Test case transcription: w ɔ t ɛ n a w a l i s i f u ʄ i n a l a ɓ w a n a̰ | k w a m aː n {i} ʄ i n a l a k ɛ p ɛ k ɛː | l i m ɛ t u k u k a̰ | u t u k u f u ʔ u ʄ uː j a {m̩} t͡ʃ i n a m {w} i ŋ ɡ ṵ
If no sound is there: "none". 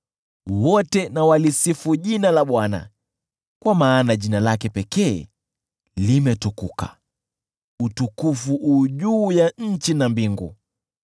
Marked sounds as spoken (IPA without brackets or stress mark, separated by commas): a, ɲ̩, b